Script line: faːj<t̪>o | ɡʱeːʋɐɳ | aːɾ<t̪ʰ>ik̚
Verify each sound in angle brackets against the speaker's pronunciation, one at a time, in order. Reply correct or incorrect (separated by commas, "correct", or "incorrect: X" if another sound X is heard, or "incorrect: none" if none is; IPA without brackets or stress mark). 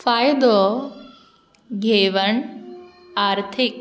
incorrect: d̪, correct